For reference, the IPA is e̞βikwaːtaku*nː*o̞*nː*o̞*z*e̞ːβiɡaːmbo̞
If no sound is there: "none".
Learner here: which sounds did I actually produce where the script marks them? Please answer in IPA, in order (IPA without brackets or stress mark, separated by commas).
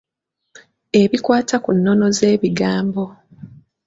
nː, n, z